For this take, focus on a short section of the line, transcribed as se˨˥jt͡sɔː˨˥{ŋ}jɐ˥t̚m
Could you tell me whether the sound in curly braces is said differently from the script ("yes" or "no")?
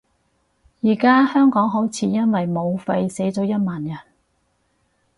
yes